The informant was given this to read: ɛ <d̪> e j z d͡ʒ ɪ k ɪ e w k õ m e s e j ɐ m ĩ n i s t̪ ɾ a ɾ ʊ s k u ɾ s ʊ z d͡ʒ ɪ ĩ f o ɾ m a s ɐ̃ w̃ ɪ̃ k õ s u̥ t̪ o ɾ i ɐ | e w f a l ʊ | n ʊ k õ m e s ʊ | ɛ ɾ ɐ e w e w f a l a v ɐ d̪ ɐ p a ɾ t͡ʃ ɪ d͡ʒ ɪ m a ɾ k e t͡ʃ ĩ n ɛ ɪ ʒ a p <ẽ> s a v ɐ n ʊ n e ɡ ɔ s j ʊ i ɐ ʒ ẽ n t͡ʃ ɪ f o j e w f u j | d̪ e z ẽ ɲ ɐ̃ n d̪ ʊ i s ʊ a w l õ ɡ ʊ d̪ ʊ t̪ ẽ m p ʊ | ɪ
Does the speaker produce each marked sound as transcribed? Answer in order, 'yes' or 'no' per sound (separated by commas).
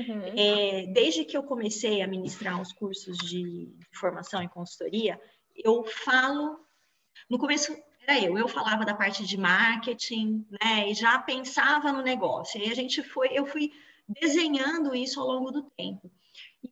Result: yes, yes